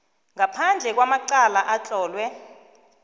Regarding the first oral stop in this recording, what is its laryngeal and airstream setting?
aspirated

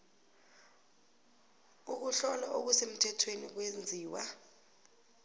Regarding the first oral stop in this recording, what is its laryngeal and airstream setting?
plain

